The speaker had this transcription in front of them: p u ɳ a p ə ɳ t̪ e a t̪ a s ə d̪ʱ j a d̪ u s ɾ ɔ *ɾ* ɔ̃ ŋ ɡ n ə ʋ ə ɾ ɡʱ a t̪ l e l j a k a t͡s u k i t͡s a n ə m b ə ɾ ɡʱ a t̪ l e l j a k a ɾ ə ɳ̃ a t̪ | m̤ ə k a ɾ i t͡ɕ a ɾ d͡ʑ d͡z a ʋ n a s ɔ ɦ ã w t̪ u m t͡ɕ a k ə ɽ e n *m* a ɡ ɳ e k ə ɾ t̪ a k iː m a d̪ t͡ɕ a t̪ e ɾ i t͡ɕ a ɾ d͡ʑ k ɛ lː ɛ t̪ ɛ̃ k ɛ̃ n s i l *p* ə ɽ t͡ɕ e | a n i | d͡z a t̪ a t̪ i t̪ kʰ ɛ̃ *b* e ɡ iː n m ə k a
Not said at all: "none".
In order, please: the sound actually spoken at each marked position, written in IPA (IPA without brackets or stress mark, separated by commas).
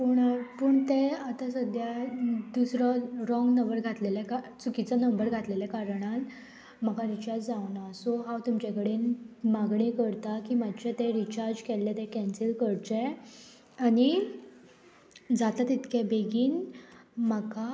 ɾ, m, k, b